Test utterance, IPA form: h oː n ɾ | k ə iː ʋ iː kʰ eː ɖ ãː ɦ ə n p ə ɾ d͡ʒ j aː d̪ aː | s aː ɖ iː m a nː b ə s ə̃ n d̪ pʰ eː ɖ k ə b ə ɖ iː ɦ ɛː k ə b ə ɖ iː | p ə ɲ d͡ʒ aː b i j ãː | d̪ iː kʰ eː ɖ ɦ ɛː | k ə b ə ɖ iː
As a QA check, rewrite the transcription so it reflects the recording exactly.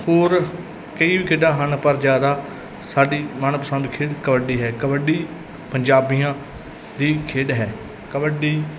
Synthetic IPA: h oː ɾ | k ə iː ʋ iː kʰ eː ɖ ãː ɦ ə n p ə ɾ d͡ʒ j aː d̪ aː | s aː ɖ iː m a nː p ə s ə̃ n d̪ kʰ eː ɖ k ə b ə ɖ iː ɦ ɛː k ə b ə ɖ iː | p ə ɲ d͡ʒ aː b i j ãː | d̪ iː kʰ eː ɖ ɦ ɛː | k ə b ə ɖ iː